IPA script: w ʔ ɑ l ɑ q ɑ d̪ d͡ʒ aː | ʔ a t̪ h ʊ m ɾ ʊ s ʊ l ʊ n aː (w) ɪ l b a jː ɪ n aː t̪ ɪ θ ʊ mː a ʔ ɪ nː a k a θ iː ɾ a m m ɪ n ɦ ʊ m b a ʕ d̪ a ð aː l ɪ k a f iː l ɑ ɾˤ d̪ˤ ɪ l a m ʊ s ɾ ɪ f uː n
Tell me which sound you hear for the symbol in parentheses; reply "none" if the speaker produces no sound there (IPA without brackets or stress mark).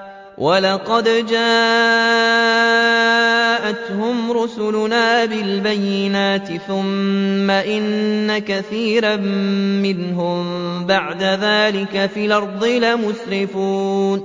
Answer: b